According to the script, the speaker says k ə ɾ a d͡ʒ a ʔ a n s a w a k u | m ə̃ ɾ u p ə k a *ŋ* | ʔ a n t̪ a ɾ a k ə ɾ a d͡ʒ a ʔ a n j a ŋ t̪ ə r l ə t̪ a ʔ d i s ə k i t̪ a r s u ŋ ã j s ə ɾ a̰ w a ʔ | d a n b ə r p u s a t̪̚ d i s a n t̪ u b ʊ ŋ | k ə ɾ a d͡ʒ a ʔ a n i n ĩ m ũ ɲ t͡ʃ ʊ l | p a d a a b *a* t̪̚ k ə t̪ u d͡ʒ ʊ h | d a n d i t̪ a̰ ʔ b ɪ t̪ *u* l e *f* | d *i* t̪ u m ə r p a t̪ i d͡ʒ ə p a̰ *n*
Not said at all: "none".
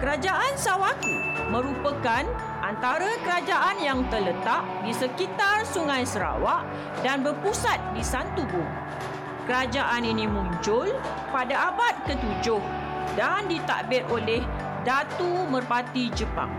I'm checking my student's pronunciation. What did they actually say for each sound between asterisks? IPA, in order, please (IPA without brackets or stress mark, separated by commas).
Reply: n, a, o, h, a, ŋ